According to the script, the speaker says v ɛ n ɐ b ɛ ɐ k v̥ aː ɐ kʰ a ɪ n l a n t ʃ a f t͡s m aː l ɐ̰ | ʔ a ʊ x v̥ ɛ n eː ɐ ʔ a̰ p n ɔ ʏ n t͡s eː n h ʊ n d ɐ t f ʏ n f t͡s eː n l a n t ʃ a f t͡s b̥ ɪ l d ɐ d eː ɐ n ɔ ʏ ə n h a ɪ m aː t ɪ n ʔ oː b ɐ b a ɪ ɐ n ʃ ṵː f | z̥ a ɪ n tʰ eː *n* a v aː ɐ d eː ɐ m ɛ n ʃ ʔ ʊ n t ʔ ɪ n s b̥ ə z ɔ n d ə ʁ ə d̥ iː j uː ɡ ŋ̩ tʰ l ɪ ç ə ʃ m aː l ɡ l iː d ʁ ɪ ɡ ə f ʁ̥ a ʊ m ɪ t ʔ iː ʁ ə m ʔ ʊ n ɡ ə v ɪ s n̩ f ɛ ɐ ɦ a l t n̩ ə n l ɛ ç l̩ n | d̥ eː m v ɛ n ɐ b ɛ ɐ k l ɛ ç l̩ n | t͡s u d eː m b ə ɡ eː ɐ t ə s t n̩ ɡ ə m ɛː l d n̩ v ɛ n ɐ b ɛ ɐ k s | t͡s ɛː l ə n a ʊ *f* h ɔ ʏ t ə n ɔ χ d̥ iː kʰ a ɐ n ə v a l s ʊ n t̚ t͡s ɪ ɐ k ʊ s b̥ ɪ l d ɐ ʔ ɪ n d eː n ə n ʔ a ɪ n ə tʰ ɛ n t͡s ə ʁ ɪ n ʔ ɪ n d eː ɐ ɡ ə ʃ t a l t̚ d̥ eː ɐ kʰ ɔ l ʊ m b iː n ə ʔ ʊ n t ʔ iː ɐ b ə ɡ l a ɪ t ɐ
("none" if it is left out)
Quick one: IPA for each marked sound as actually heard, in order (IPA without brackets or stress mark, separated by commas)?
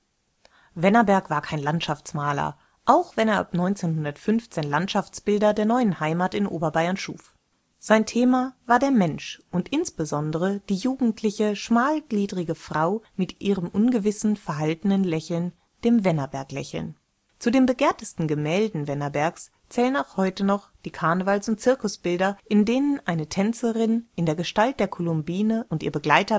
m, x